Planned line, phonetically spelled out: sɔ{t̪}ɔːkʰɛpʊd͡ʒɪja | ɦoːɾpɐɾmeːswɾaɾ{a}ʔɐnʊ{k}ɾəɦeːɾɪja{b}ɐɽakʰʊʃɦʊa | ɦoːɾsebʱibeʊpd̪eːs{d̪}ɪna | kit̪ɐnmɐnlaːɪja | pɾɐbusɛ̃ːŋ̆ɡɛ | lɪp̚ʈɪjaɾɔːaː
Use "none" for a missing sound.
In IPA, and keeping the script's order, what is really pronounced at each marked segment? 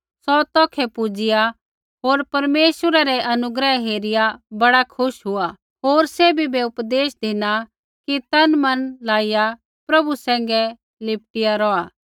t̪, ɛ, ɡ, b, d̪

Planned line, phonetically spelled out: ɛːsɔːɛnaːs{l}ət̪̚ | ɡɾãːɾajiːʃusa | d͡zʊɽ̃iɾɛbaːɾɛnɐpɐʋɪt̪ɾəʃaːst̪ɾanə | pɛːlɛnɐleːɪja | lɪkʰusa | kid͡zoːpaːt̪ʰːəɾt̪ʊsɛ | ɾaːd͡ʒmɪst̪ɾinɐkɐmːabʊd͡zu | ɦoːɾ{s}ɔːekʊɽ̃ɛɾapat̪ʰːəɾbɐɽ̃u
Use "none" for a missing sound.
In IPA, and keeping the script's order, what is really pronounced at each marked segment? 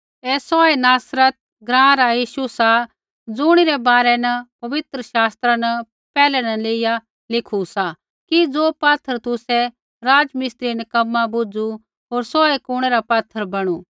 ɾ, s

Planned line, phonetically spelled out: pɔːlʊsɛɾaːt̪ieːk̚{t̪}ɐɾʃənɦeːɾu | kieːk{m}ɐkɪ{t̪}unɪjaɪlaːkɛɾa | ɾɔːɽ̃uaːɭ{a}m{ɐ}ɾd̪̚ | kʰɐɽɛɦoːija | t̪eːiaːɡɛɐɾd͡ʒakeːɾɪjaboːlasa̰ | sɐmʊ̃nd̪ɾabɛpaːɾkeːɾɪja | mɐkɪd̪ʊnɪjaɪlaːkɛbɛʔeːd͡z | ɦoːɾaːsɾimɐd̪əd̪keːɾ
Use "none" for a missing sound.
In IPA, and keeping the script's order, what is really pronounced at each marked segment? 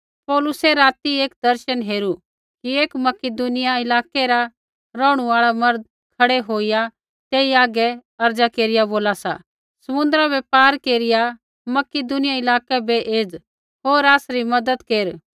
d̪, m, d̪, a, ɐ

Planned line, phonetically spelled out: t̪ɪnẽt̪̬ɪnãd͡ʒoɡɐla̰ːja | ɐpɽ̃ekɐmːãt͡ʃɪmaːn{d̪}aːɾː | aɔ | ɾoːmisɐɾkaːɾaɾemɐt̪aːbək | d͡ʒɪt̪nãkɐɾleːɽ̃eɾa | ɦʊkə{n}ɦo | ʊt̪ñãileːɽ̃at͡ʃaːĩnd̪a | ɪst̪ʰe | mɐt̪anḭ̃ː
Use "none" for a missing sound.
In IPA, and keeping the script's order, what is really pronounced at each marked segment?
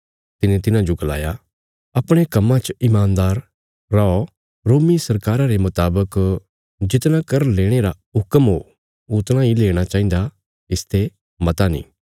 d̪, m

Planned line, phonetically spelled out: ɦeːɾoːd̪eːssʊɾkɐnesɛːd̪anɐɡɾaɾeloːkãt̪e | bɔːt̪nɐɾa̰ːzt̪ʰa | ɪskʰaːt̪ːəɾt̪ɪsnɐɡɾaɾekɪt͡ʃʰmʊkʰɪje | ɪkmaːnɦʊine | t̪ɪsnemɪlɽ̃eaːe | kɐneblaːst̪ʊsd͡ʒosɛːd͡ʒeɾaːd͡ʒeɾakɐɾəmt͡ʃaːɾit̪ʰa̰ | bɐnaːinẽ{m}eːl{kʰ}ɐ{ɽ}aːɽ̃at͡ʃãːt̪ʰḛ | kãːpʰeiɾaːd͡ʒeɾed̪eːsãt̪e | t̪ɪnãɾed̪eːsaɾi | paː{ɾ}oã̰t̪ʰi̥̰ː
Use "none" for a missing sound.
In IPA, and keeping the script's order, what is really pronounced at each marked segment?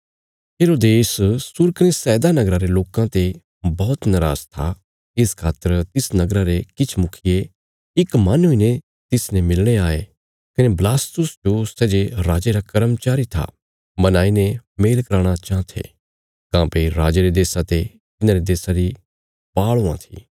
m, k, ɾ, ɭ

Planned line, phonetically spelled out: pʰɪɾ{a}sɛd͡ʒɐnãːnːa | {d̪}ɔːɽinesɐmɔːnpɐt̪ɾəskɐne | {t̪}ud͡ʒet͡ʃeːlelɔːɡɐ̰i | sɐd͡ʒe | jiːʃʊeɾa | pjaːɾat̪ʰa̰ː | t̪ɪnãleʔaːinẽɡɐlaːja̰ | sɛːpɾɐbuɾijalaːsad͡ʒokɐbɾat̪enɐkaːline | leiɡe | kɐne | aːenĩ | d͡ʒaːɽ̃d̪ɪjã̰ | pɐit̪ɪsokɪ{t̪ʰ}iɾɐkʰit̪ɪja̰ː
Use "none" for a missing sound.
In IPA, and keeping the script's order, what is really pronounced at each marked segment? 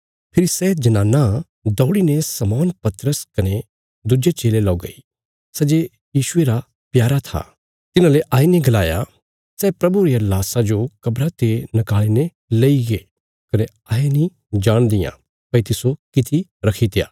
i, d̪, d̪, t̪ʰ

